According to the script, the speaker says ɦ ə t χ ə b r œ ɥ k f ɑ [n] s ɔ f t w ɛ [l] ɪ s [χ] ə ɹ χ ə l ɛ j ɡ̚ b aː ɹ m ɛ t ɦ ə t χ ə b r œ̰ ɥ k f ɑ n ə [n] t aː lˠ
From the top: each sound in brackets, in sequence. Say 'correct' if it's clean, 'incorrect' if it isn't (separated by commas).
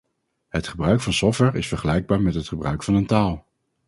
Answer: correct, incorrect, incorrect, correct